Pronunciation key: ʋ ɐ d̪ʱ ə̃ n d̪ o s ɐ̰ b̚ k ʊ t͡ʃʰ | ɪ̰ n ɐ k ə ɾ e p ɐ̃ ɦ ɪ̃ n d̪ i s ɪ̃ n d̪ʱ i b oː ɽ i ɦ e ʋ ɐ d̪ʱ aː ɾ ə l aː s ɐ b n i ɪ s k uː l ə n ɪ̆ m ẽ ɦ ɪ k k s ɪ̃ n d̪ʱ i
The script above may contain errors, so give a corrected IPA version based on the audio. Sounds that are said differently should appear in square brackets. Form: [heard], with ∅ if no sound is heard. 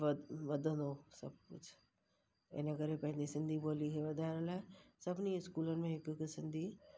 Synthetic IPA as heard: ʋ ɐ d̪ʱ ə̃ n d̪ o s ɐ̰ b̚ k ʊ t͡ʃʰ | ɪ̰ n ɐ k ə ɾ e p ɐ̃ ɦ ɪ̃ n d̪ i s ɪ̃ n d̪ʱ i b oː [l] i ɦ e ʋ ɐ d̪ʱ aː ɾ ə l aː s ɐ b n i ɪ s k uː l ə n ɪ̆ m ẽ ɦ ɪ k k s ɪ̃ n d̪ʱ i